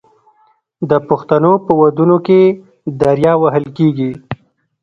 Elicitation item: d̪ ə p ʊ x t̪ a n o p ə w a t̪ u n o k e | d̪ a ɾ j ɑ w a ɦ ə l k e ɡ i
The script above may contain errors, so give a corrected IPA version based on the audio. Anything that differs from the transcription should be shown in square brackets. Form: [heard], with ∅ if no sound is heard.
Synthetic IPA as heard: d̪ ə p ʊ x t̪ a n o p ə w a [d̪] u n o k e | d̪ a ɾ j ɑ w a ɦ ə l k e ɡ i

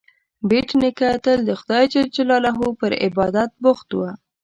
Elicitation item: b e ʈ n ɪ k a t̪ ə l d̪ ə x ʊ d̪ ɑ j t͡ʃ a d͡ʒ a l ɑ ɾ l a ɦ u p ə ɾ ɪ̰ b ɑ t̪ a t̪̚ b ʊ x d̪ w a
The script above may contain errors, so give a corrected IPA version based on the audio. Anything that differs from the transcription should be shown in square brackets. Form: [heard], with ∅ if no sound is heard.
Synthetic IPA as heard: b e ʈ n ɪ k a t̪ ə l d̪ ə x ʊ d̪ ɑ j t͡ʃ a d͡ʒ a l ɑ [∅] l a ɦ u p ə ɾ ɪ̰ b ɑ [d̪] a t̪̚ b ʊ x [t̪] w a

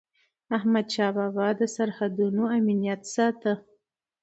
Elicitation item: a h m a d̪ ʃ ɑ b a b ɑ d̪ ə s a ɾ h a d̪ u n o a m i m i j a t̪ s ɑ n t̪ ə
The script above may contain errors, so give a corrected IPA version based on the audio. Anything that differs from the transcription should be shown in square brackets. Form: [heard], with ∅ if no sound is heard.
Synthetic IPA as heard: a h m a d̪ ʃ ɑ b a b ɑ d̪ ə s a ɾ h a d̪ u n o a m i [n] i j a t̪ s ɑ [∅] t̪ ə

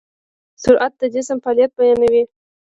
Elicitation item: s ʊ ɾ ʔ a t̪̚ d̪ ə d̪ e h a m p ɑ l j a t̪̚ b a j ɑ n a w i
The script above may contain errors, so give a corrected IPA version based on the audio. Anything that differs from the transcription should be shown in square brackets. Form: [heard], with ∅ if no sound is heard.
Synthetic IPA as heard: s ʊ ɾ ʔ a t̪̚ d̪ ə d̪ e [s] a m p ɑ l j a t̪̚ b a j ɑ n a w i

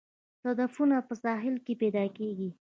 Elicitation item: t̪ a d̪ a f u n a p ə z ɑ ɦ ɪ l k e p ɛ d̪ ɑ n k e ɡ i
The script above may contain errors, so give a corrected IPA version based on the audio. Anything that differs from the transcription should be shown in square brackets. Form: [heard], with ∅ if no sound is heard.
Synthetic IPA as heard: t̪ a d̪ a f u n a p ə [s] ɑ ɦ ɪ l k e p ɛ d̪ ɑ [∅] k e ɡ i

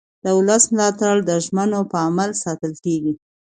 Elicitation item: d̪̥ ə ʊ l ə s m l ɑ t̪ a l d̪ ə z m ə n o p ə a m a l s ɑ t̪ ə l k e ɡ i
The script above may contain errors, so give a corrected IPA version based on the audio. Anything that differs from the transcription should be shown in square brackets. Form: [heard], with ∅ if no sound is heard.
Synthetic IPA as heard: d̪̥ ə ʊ l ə s m l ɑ t̪ a [ɽ] d̪ ə [ʒ] m ə n o p ə a m a l s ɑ t̪ ə l k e ɡ i

